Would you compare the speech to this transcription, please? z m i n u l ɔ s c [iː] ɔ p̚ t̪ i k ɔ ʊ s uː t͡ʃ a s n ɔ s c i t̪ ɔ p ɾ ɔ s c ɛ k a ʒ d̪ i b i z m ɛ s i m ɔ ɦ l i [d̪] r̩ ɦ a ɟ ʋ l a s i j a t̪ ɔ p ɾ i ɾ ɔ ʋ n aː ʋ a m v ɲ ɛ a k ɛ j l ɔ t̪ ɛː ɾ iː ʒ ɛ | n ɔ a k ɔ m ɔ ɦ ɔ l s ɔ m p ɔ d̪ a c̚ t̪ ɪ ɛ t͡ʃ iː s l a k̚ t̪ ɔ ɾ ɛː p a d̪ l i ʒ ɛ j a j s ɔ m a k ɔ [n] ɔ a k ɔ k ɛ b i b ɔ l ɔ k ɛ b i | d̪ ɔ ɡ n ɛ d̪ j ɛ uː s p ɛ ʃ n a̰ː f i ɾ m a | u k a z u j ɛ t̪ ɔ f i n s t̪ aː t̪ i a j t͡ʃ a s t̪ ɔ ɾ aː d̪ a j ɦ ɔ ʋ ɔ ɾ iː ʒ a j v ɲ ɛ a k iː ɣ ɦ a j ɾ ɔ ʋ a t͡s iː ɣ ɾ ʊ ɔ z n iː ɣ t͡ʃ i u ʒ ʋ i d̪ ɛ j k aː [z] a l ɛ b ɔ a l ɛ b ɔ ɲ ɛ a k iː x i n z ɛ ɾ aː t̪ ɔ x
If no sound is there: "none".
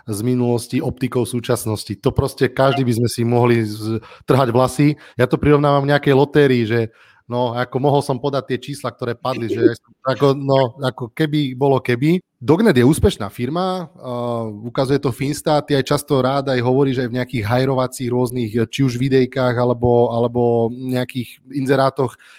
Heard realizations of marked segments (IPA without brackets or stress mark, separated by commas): i, t̪, n, ɣ